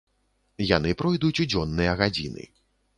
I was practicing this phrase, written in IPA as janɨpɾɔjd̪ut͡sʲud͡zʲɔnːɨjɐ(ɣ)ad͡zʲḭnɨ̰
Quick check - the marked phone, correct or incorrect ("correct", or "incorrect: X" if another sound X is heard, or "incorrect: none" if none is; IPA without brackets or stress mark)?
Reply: correct